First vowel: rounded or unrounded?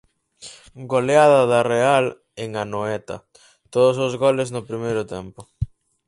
rounded